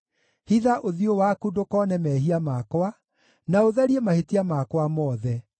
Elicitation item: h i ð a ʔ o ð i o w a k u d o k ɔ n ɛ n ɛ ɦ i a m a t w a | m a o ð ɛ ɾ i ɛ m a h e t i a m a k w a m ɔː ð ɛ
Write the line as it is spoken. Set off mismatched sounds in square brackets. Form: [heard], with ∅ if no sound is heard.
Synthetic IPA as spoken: h i ð a ʔ o ð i o w a k u d o k ɔ n ɛ [m] ɛ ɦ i a m a [k] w a | [n] a o ð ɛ ɾ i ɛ m a h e t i a m a k w a m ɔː ð ɛ

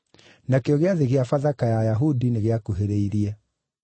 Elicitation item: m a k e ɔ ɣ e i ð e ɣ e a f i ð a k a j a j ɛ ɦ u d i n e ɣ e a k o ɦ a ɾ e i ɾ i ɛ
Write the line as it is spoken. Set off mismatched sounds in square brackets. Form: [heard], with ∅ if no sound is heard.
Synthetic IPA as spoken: [n] a k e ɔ ɣ e [a] ð e ɣ e a f [a] ð a k a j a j [a] ɦ u d i n e ɣ e a k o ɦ [e] ɾ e i ɾ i ɛ

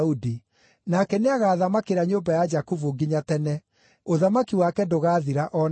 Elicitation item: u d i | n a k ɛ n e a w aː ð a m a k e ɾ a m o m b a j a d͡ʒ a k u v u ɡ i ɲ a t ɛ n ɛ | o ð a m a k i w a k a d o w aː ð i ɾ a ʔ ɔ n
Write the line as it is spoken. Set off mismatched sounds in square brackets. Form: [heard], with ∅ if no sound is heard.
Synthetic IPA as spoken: u d i | n a k ɛ n e a [ɣ] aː ð a m a k e ɾ a [ɲ] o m b a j a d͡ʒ a k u v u ɡ i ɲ a t ɛ n ɛ | o ð a m a k i w a k [ɛ] d o [ɣ] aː ð i ɾ a ʔ ɔ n

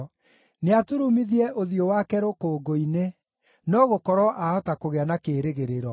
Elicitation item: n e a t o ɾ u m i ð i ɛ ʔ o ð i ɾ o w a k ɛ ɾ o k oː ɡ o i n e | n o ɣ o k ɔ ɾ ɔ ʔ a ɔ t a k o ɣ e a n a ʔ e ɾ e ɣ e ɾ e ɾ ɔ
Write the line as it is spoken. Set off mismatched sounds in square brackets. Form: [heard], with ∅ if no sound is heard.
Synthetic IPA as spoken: n e a t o ɾ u m i ð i ɛ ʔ o ð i [∅] o w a k ɛ ɾ o k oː ɡ o i n e | n [ɔ] ɣ o k ɔ ɾ ɔ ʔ a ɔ t a k o ɣ e a n a [k] e ɾ e ɣ e ɾ e ɾ ɔ

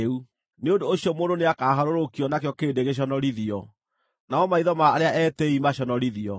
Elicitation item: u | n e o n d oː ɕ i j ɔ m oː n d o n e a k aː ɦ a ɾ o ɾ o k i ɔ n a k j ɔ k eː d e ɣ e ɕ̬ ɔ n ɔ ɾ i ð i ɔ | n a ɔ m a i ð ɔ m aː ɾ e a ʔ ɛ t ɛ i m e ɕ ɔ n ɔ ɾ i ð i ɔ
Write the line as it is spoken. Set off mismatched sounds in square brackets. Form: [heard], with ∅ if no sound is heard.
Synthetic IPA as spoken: u | n e o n d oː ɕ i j ɔ m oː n d o n e a k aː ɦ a ɾ o ɾ o k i ɔ n a k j ɔ k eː d e ɣ e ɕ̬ ɔ n ɔ ɾ i ð i ɔ | n a ɔ m a i ð ɔ m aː ɾ e a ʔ ɛ t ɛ i m [a] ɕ ɔ n ɔ ɾ i ð i ɔ

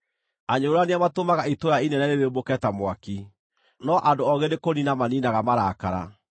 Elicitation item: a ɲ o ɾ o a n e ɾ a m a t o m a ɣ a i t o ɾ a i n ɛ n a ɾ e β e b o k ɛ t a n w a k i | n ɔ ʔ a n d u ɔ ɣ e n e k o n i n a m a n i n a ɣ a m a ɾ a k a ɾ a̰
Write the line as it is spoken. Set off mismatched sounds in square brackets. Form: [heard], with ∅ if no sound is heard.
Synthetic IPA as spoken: a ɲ o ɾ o a n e [∅] a m a t o m a ɣ a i t o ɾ a i n ɛ n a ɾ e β e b o k ɛ t a [m] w a k i | n ɔ ʔ a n d [o] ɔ ɣ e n e k o n i n a m a n i n a ɣ a m a ɾ a k a ɾ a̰

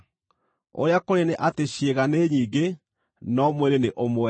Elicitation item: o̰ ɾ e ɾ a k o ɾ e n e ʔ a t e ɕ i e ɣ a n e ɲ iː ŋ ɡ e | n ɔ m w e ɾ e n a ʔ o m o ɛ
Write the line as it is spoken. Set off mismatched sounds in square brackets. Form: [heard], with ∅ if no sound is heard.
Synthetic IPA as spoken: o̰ ɾ e [∅] a k o ɾ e n e ʔ a t e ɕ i e ɣ a n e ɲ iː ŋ ɡ e | n ɔ m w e ɾ e n [e] ʔ o m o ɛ

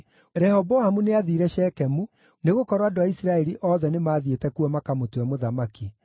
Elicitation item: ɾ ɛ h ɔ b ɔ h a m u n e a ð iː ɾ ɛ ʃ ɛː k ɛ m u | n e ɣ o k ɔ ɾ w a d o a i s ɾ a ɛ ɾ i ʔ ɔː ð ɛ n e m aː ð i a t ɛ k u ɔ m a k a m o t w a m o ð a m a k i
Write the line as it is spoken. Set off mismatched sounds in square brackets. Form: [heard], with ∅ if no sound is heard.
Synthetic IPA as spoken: ɾ ɛ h ɔ b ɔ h a m u n e a ð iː ɾ ɛ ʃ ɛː k ɛ m u | n e ɣ o k ɔ ɾ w a d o a i s ɾ a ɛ ɾ i ʔ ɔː ð ɛ n e m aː ð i [e] t ɛ k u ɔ m a k a m o t w [ɛ] m o ð a m a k i

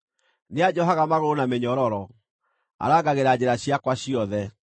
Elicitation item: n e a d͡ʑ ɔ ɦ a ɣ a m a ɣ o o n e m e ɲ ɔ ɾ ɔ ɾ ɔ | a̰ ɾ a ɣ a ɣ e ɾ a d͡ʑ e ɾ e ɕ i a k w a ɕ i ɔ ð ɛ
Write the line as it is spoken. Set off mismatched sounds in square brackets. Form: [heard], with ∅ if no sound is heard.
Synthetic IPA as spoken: n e a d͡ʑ ɔ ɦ a ɣ a m a ɣ o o n [a] m e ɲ ɔ ɾ ɔ ɾ ɔ | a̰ ɾ a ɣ a ɣ e ɾ a d͡ʑ e ɾ [a] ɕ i a k w a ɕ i ɔ ð ɛ

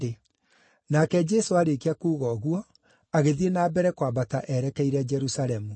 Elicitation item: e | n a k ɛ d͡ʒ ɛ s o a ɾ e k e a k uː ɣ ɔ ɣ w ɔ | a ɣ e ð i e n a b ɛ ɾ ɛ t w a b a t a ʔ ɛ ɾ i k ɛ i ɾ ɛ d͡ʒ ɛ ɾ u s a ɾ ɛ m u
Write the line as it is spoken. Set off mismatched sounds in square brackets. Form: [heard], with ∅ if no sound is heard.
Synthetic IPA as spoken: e | n a k ɛ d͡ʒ ɛ s o a ɾ e k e a k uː ɣ ɔ ɣ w ɔ | a ɣ e ð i e n a b ɛ ɾ ɛ [k] w a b a t a ʔ ɛ ɾ [ɛ] k ɛ i ɾ ɛ d͡ʒ ɛ ɾ u s a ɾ ɛ m u

